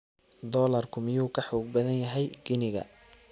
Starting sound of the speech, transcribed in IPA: d̪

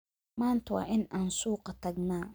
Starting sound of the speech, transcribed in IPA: m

